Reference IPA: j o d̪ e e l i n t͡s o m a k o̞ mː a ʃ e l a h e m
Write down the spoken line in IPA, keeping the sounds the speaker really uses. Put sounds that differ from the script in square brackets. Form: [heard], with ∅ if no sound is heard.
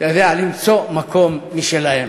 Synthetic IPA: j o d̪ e [a] l i [m] t͡s o m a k o̞ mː [i] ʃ e l a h e m